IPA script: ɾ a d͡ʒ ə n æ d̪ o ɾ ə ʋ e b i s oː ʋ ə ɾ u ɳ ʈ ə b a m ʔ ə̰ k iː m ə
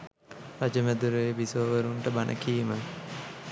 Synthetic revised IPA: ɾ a d͡ʒ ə m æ d̪ u ɾ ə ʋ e b i s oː ʋ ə ɾ u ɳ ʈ ə b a n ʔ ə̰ k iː m ə